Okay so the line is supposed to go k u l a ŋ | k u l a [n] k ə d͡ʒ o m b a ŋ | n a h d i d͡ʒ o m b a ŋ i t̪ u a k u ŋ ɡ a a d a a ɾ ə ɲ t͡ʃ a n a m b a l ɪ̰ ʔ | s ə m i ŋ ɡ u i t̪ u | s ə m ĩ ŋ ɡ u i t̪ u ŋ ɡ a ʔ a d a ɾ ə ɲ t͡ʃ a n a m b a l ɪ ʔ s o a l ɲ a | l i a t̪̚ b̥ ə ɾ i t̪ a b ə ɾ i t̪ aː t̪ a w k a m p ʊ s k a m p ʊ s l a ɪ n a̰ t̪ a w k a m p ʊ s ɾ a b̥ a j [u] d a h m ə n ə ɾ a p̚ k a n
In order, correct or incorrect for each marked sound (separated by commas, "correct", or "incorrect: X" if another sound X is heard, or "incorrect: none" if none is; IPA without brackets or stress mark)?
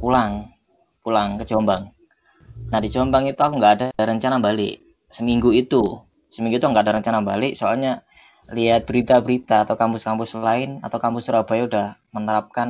incorrect: ŋ, correct